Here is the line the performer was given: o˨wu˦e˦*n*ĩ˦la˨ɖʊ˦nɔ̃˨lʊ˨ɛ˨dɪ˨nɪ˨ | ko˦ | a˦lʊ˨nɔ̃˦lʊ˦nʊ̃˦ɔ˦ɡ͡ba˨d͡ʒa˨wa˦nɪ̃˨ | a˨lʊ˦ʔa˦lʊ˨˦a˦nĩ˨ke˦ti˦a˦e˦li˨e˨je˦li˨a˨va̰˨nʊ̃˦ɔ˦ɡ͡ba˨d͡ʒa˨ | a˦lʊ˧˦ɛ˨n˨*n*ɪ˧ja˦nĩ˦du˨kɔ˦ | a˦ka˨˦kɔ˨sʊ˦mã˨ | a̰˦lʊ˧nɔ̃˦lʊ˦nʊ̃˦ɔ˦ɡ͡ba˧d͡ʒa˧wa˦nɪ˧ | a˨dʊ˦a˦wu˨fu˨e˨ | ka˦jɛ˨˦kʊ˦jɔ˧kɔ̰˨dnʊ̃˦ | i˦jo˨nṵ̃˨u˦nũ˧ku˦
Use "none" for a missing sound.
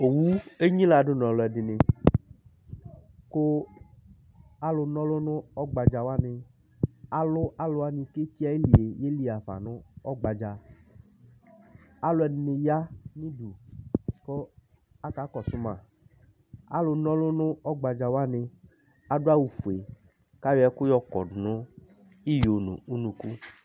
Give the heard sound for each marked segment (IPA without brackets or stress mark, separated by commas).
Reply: ɲ, n